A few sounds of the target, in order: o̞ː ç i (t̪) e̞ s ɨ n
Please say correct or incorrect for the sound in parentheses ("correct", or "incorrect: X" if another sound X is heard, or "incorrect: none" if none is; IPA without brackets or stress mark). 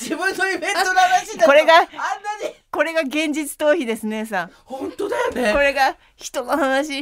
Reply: incorrect: d̪